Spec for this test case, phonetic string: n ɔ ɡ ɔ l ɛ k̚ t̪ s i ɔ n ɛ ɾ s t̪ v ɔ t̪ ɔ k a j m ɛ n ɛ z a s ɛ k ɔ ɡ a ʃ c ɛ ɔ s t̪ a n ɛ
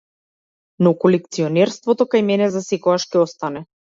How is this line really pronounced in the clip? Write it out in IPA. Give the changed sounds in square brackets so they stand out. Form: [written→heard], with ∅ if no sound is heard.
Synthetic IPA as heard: n ɔ [ɡ→k] ɔ l ɛ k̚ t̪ s i ɔ n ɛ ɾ s t̪ v ɔ t̪ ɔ k a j m ɛ n ɛ z a s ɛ k ɔ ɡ a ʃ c ɛ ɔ s t̪ a n ɛ